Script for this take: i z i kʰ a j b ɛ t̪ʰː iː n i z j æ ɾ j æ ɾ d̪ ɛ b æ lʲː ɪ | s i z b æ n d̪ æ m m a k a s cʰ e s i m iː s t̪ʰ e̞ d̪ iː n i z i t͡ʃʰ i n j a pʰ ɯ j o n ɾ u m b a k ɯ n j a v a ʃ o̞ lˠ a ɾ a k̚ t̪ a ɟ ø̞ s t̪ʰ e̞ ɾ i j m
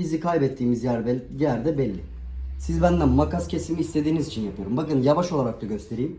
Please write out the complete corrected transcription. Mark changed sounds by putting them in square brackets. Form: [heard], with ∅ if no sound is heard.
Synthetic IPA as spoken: i z i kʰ a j b ɛ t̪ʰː iː [m] i z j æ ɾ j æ ɾ d̪ ɛ b [ɛ] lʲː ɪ | s i z b æ n d̪ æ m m a k a s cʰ e s i m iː s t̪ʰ e̞ d̪ iː n i z i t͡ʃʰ i n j a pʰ ɯ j o [∅] ɾ u m b a k ɯ n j a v a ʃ o̞ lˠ a ɾ a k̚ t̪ a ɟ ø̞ s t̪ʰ e̞ ɾ i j m